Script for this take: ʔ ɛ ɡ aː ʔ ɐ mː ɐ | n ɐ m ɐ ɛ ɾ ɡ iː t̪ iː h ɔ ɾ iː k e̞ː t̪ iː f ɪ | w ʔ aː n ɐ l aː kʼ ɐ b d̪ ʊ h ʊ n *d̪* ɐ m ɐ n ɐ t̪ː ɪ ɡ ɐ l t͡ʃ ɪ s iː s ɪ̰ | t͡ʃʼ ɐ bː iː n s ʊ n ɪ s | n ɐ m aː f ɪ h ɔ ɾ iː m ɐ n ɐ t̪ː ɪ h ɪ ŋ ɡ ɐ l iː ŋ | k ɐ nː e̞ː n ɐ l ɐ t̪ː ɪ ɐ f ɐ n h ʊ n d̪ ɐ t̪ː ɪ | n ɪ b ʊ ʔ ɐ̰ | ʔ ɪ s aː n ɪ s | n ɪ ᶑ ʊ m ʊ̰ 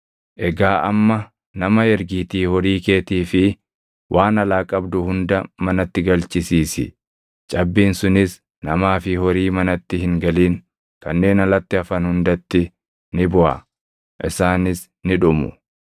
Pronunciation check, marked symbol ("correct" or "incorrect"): correct